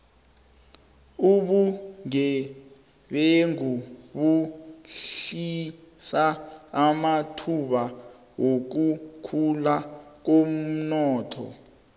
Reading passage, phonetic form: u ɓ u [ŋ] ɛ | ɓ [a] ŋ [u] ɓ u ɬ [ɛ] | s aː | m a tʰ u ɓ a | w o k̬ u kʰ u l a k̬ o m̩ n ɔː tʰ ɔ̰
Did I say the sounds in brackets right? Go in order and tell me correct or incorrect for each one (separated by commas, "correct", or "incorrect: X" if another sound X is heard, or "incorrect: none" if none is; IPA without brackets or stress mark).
correct, incorrect: e, correct, incorrect: i